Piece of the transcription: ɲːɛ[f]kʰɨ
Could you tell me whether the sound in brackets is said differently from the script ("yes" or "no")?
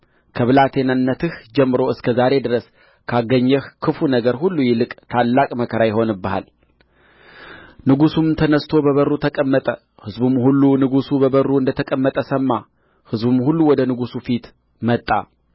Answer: yes